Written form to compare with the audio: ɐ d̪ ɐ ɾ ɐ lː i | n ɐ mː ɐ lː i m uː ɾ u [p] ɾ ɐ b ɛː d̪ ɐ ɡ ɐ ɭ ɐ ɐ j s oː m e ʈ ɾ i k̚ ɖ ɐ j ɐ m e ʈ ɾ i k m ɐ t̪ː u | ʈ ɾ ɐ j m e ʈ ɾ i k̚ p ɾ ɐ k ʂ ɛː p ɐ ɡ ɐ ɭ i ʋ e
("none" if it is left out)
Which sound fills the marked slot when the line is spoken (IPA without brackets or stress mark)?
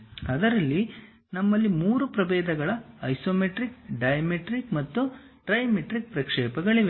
p